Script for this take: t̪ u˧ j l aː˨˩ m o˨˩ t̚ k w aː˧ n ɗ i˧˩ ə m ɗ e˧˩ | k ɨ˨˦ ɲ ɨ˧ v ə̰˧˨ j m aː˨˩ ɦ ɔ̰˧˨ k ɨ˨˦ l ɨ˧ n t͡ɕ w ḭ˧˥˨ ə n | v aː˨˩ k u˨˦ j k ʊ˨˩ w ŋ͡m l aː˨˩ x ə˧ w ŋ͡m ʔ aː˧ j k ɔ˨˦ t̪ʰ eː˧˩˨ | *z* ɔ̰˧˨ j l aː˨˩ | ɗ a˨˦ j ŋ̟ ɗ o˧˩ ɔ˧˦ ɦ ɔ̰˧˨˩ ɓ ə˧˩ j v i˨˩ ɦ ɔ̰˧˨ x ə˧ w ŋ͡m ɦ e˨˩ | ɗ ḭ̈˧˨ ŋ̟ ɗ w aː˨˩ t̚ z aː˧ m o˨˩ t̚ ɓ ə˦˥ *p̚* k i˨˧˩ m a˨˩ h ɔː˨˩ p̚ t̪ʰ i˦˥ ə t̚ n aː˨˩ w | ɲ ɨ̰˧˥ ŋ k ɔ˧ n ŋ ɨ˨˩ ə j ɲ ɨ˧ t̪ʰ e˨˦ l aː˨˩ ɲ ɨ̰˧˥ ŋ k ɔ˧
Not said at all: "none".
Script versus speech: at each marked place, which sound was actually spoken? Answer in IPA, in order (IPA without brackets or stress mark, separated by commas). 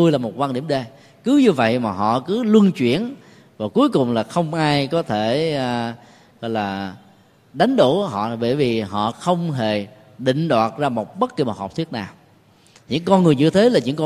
ɣ, t̚